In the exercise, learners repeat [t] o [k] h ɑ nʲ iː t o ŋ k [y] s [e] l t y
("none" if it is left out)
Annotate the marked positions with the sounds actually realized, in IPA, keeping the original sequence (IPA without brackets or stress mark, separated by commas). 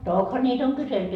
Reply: t, k, y, e